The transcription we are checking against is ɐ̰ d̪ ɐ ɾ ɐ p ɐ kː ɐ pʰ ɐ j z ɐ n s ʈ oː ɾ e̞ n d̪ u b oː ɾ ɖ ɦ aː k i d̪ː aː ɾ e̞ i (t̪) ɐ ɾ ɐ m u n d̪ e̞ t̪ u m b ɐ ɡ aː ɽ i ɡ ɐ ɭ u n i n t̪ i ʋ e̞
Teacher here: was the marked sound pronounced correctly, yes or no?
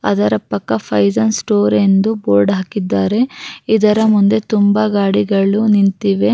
no